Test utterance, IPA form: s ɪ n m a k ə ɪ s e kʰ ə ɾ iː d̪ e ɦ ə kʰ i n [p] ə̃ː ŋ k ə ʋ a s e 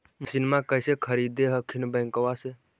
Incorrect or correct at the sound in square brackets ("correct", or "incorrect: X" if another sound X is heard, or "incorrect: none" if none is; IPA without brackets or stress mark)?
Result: incorrect: b